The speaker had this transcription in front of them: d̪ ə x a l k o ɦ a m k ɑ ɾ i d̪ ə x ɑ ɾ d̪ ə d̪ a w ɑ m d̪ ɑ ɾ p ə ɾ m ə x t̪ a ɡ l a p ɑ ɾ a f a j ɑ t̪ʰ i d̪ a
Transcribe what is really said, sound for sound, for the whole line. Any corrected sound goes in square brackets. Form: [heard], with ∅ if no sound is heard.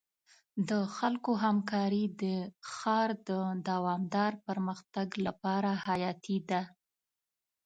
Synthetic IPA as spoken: d̪ ə x a l k o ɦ a m k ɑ ɾ i d̪ ə x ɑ ɾ d̪ ə d̪ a w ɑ m d̪ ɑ ɾ p ə ɾ m ə x t̪ a ɡ l a p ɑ ɾ a [h] a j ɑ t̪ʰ i d̪ a